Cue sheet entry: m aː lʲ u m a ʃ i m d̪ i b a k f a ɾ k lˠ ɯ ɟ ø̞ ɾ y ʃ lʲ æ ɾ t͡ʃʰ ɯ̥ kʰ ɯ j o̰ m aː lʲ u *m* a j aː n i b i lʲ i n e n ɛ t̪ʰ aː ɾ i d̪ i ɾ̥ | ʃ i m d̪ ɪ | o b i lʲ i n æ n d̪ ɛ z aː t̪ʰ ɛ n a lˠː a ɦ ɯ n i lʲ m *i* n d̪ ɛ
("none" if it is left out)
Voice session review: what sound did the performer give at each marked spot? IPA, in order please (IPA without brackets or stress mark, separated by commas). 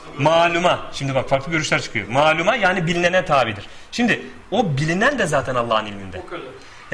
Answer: m, i